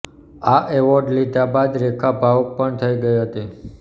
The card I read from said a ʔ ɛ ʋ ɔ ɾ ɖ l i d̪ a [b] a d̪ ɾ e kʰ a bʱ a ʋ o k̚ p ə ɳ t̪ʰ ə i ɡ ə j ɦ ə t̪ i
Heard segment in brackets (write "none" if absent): b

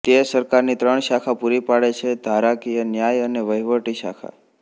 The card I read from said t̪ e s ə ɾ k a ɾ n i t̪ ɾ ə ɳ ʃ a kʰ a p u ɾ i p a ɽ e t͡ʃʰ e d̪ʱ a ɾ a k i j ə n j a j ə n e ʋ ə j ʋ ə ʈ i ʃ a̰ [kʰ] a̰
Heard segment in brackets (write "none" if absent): kʰ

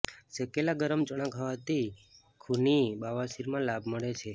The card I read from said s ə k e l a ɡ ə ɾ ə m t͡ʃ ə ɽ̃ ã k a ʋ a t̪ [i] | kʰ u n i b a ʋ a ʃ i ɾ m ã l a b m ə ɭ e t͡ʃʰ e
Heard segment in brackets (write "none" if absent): i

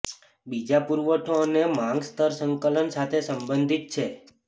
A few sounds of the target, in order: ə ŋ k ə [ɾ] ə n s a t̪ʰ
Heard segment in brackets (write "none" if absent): l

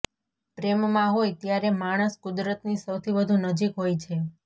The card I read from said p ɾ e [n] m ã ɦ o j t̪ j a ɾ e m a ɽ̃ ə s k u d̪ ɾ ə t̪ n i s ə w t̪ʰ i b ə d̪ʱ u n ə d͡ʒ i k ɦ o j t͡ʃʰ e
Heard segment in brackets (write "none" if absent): m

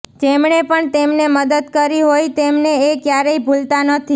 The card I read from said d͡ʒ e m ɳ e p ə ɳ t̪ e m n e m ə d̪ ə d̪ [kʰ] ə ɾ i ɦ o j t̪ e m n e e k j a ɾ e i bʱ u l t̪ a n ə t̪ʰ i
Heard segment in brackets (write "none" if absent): k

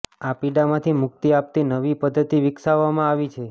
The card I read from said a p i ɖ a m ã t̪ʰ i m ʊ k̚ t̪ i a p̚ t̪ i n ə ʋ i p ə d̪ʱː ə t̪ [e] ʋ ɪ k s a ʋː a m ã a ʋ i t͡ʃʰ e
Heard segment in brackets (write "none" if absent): i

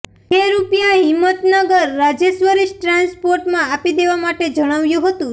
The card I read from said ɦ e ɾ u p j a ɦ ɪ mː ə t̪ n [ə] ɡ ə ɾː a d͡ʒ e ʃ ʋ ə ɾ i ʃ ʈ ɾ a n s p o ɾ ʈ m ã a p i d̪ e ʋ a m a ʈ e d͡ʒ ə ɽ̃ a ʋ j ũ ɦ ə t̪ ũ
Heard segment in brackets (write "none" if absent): ə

